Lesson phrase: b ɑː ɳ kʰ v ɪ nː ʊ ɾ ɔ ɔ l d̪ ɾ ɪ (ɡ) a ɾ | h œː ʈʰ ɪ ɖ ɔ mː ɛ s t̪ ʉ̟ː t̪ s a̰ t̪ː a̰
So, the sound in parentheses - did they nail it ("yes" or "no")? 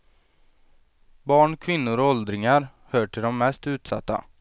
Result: no